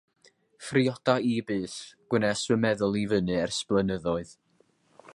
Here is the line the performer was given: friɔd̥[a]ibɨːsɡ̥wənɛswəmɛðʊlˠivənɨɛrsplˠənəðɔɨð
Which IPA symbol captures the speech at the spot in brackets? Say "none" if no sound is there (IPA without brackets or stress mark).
a